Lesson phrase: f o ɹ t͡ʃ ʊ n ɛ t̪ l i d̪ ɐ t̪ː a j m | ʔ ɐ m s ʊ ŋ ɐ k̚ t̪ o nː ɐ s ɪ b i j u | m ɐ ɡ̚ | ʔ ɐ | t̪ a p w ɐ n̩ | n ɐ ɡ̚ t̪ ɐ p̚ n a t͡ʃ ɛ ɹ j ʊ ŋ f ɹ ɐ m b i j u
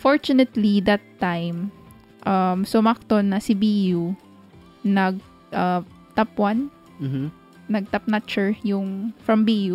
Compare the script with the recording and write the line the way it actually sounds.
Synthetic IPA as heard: f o ɹ t͡ʃ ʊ n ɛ t̪ l i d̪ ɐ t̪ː a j m | ʔ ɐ m s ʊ m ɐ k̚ t̪ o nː ɐ s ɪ b i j u | n ɐ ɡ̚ | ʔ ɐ | t̪ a p w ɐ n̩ | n ɐ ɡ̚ t̪ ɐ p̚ n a t͡ʃ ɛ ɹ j ʊ ŋ f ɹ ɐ m b i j u